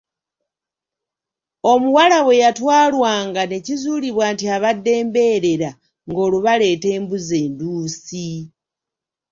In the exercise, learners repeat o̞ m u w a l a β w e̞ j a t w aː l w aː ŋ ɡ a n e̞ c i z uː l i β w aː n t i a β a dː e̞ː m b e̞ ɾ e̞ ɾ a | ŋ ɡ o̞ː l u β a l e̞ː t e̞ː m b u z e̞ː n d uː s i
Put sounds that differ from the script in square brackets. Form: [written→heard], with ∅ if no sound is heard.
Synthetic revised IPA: o̞ m u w a l a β w e̞ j a t w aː l w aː ŋ ɡ a n e̞ c i z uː l i β w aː n t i a β a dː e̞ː m b e̞ ɾ e̞ ɾ a | ŋ ɡ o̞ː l u β a l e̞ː t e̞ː m b u z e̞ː n d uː s i